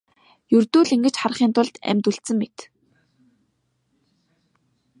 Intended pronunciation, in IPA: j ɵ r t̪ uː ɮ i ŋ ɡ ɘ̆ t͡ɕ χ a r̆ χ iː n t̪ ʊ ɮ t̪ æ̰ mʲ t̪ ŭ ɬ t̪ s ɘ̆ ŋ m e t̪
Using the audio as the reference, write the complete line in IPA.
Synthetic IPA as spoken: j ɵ r t̪ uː ɮ i ŋ ɡ ɘ̆ t͡ɕ χ a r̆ χ iː n t̪ ʊ ɮ t̪ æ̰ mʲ t̪ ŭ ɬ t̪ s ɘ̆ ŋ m e t̪